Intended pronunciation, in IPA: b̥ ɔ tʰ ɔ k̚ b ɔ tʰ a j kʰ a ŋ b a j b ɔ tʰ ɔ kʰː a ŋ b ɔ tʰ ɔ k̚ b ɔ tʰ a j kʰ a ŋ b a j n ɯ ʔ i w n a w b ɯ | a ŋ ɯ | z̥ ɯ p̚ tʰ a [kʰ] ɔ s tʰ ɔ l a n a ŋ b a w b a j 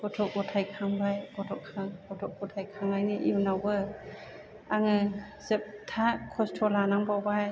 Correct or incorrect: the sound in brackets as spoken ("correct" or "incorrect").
correct